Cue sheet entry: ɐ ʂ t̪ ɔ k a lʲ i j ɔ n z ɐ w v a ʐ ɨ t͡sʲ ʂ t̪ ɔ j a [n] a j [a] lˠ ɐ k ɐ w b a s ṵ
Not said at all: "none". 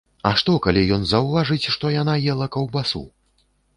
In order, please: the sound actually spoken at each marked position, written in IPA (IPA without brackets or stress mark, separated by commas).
n, ɛ